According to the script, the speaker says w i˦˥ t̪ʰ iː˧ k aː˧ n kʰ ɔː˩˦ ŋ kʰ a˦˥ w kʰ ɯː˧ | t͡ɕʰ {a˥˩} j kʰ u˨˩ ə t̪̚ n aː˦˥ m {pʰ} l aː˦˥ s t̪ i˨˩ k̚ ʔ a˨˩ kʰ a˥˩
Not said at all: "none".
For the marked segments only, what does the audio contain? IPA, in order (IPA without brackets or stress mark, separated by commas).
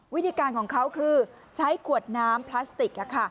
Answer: a˦˥, pʰ